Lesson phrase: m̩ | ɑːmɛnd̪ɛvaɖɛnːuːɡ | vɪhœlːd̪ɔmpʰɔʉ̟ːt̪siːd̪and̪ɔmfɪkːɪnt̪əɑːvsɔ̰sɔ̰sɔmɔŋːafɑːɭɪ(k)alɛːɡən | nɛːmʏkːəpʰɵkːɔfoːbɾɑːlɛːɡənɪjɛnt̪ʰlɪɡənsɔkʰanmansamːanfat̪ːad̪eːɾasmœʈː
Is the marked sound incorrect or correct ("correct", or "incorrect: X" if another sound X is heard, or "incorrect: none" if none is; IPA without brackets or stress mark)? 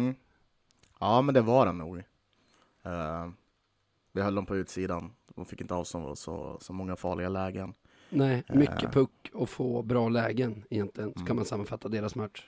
incorrect: ɡ